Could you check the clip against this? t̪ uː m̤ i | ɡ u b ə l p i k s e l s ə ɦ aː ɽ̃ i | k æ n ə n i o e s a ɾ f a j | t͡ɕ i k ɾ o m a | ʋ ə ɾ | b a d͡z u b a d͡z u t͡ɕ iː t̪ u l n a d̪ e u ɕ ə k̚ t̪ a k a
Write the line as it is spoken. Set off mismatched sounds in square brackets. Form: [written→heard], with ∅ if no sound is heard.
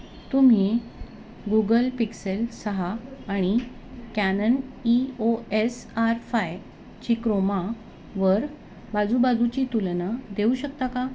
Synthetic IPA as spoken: t̪ [uː→u] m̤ i | ɡ u [b→ɡ] ə l p i k s e l s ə ɦ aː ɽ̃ i | k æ n ə n i o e s a ɾ f a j | t͡ɕ i k ɾ o m a | ʋ ə ɾ | b a d͡z u b a d͡z u t͡ɕ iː t̪ u l n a d̪ e u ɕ ə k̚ t̪ a k a